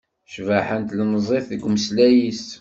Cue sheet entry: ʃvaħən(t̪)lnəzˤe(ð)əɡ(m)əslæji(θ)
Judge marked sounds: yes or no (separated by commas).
yes, no, yes, no